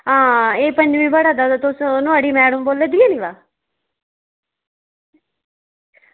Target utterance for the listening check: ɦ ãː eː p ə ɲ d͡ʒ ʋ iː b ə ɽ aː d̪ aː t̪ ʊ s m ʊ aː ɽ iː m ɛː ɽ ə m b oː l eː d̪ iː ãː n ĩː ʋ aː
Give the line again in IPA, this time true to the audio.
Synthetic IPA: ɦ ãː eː p ə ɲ d͡ʒ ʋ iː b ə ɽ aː d̪ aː t̪ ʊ s n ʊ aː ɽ iː m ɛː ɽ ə m b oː l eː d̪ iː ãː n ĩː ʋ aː